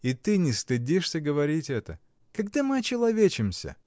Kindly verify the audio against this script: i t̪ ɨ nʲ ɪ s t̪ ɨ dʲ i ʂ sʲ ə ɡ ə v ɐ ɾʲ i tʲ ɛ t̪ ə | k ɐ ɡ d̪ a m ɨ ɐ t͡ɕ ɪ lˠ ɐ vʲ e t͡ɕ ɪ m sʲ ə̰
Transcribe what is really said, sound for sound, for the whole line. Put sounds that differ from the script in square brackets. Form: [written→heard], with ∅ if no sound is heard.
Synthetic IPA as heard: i t̪ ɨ nʲ ɪ s t̪ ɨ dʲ i ʂ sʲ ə ɡ ə v ɐ ɾʲ i tʲ ɛ t̪ ə | k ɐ ɡ d̪ a m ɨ ɐ t͡ɕ ɪ lˠ ɐ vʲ e t͡ɕ ɪ m sʲ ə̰